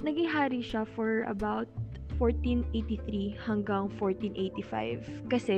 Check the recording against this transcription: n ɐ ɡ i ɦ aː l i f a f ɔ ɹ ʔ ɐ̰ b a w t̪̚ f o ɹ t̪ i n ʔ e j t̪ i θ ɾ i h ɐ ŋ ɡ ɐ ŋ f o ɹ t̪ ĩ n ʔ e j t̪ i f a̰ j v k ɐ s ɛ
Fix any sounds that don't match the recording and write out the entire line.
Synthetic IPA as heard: n ɐ ɡ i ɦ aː ɾ i ʃ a f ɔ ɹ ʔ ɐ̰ b a w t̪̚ f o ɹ t̪ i n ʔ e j t̪ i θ ɾ i h ɐ ŋ ɡ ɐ ŋ f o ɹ t̪ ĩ n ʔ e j t̪ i f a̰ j v k ɐ s ɛ